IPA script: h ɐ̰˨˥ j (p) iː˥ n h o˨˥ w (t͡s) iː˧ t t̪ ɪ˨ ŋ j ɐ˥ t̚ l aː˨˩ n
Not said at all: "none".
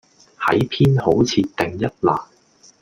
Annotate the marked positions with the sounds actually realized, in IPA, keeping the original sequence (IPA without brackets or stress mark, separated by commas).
pʰ, t͡sʰ